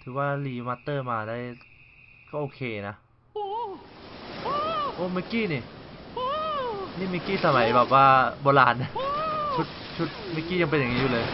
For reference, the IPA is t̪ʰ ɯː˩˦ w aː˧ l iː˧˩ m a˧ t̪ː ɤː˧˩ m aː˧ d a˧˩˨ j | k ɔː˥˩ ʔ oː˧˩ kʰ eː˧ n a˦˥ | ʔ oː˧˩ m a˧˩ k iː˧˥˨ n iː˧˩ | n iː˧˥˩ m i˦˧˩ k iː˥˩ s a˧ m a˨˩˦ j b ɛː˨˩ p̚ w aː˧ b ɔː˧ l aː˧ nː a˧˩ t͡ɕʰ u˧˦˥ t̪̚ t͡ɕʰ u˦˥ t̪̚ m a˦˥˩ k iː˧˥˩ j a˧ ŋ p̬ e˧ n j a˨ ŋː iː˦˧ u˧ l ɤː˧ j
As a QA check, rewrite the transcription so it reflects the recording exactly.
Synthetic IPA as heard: t̪ʰ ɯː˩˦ w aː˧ l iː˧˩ m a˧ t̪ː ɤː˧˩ m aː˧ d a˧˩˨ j | k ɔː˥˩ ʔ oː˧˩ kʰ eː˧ n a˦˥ | ʔ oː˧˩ m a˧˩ k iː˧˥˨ n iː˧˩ | n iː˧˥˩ m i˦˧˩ k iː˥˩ s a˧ m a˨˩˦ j b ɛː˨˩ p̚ w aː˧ b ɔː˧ l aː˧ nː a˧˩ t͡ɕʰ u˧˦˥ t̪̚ t͡ɕʰ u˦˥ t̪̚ m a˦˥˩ k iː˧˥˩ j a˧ ŋ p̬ e˧ n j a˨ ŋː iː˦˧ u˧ l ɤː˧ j

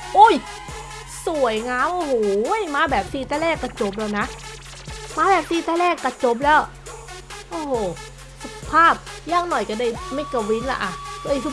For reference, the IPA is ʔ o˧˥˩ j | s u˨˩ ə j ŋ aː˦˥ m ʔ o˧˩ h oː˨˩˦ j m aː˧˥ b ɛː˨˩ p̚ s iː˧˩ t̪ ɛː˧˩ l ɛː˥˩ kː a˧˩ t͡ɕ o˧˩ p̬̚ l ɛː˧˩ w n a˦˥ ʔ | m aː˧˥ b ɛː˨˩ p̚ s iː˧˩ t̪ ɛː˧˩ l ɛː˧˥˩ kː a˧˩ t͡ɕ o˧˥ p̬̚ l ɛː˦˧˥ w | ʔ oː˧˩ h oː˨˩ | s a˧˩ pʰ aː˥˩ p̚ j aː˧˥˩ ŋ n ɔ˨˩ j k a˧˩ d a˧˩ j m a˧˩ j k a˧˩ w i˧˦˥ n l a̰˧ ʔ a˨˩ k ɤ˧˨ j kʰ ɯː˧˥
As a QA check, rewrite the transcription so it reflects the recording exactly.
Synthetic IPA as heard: ʔ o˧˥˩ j | s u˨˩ ə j ŋ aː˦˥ m ʔ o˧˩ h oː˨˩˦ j m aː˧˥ b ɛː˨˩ p̚ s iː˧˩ t̪ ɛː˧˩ l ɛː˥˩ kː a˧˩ t͡ɕ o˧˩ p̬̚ l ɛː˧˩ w n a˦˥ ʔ | m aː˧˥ b ɛː˨˩ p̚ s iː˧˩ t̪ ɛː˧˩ l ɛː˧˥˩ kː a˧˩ t͡ɕ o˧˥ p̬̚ l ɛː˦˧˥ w | ʔ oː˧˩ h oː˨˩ | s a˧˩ pʰ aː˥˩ p̚ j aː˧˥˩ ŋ n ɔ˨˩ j k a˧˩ d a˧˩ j m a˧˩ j k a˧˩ w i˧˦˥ n l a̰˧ ʔ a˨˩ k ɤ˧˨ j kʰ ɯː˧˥

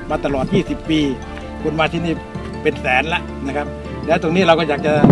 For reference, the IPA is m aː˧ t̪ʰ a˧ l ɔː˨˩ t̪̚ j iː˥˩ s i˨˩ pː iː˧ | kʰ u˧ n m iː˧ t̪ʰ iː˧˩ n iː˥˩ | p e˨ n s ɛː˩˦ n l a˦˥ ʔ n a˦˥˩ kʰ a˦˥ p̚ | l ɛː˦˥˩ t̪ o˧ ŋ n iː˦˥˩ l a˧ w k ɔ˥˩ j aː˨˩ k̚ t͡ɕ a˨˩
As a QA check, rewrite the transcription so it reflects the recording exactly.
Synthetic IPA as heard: m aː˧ t̪ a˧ l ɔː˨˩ t̪̚ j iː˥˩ s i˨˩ pː iː˧ | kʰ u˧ n m aː˧ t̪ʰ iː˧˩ n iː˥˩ | p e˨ n s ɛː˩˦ n l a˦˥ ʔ n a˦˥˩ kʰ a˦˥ p̚ | l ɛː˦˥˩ t̪ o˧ ŋ n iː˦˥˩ ɾ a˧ w k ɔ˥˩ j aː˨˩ k̚ t͡ɕ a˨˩

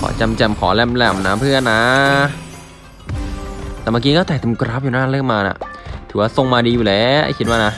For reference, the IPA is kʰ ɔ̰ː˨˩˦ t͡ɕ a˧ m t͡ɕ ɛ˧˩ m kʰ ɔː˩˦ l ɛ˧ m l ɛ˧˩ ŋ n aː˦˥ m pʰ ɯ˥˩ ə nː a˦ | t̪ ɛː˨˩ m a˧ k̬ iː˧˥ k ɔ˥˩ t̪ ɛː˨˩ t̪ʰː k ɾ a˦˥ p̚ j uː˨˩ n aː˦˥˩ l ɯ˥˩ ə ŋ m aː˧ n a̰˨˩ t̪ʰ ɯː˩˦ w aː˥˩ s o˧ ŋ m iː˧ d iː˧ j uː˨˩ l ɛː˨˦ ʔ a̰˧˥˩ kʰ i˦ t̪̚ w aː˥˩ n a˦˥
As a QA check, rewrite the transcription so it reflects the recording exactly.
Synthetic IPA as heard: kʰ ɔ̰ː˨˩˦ t͡ɕ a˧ m t͡ɕ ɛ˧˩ m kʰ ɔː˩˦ l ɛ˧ m l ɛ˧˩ m n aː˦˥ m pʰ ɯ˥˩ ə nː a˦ | t̪ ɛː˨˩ m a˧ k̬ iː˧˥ k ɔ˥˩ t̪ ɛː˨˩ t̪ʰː k ɾ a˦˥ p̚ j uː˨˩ n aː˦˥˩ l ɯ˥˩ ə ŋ m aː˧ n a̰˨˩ t̪ʰ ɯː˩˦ w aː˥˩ s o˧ ŋ m aː˧ d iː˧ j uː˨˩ l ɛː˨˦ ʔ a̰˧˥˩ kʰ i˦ t̪̚ w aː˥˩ n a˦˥

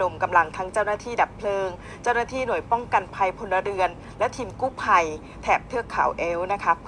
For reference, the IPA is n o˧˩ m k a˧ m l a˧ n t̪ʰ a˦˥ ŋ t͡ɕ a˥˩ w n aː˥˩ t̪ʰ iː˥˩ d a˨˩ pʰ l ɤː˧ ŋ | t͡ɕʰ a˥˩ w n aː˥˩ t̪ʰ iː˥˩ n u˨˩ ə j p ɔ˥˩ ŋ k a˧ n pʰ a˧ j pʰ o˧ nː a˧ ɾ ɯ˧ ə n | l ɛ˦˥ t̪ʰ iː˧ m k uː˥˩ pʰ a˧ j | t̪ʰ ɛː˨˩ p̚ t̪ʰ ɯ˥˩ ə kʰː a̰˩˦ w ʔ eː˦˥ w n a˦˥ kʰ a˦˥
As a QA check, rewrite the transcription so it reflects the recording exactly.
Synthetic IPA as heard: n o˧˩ m k a˧ m l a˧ ŋ t̪ʰ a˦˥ ŋ t͡ɕ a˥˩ w n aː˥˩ t̪ʰ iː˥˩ d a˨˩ pʰ l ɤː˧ ŋ | t͡ɕ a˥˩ w n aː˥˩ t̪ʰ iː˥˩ n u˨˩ ə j p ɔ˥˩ ŋ k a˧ n pʰ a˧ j pʰ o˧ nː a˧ ɾ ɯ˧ ə n | l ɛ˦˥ t̪ʰ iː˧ m k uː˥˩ pʰ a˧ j | t̪ʰ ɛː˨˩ p̚ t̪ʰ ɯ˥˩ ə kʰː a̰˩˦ w ʔ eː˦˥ w n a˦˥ kʰ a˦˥

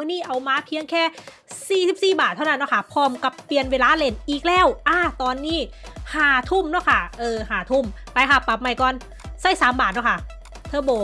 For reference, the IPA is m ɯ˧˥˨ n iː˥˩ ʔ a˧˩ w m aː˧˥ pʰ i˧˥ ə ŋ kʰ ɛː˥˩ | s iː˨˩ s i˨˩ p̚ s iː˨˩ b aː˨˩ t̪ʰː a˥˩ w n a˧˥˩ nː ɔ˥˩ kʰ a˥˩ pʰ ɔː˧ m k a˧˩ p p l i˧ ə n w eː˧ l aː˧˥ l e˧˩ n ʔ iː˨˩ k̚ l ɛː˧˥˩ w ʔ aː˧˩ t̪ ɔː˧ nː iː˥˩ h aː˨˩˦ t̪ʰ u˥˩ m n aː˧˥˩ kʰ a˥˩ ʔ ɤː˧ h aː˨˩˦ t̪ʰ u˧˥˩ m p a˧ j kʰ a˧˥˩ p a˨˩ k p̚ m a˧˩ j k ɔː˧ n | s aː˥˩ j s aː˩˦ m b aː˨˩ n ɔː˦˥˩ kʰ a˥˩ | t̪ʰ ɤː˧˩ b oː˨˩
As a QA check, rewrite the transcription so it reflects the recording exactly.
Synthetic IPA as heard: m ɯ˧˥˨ n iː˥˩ ʔ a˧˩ w m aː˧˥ pʰ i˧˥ ə ŋ kʰ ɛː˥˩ | s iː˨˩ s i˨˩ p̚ s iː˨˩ b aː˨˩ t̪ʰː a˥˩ w n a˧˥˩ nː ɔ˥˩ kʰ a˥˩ pʰ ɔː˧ m k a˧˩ p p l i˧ ə n w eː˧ l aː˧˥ l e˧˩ n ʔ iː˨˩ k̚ l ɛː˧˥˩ w ʔ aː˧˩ t̪ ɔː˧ nː iː˥˩ h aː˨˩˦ t̪ʰ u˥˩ m n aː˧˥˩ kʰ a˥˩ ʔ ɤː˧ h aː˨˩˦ t̪ʰ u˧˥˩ m p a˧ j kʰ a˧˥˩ p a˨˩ p̚ m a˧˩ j k ɔː˧ n | s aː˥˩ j s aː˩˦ m b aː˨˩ n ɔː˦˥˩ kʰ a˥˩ | t̪ʰ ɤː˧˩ b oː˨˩

